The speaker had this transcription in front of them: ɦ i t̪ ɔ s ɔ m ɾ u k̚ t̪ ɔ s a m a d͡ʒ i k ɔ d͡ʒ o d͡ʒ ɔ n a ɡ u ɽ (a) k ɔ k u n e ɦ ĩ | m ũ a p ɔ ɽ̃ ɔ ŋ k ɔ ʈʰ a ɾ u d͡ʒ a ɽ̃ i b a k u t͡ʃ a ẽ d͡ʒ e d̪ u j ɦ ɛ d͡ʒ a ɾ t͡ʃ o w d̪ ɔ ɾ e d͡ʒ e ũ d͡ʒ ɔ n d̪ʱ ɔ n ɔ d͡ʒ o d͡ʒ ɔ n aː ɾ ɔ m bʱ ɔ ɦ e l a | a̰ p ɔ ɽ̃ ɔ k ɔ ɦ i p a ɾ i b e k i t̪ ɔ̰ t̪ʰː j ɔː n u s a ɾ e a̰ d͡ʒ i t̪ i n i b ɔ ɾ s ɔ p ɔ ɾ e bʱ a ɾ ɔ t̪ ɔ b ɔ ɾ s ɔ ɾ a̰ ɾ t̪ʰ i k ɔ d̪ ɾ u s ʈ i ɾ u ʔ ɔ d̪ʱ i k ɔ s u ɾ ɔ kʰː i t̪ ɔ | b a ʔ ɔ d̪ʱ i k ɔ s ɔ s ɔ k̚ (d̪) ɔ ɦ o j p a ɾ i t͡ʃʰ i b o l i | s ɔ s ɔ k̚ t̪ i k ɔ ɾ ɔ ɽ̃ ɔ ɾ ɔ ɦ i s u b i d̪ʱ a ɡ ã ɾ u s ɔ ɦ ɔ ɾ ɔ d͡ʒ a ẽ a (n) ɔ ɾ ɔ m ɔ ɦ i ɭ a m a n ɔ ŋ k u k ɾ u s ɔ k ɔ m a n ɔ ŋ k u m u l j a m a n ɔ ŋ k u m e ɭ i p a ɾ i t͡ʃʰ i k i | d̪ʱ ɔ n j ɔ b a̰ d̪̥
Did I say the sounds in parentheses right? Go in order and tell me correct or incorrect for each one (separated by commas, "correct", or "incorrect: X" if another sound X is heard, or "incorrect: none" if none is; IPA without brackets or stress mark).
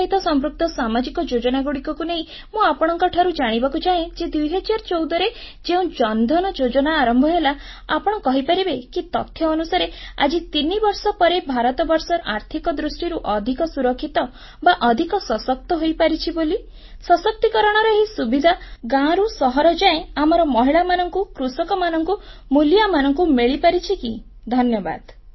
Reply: incorrect: i, incorrect: t̪, incorrect: m